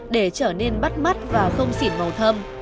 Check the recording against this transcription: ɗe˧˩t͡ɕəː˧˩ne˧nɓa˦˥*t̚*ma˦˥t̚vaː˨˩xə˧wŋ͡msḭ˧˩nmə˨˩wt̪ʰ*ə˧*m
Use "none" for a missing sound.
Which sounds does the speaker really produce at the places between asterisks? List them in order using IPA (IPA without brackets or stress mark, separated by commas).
t̚, ə˧